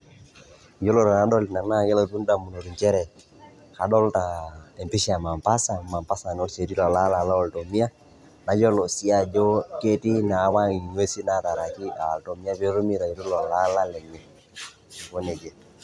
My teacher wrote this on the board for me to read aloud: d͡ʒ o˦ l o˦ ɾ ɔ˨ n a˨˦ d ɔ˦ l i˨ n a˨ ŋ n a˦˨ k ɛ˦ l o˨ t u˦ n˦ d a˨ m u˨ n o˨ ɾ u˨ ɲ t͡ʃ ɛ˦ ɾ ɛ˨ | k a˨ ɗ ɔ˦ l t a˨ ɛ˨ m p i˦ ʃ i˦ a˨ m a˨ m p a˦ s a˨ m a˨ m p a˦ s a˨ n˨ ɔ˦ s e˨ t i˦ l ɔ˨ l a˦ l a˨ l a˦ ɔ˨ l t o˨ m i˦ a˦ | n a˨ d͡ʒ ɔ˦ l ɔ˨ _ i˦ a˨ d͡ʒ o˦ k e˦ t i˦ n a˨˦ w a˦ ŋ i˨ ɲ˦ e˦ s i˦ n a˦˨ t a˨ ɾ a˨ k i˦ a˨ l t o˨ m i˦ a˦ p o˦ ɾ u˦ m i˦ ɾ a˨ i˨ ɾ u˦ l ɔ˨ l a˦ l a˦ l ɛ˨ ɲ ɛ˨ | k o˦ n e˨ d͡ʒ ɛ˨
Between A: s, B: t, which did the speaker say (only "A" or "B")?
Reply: A